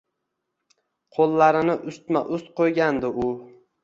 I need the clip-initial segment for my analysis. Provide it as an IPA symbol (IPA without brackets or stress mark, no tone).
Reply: qʰ